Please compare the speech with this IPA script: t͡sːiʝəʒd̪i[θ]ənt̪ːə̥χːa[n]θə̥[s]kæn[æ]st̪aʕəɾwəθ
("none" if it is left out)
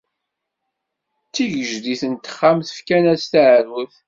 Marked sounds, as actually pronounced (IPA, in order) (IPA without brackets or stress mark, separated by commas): θ, m, f, æ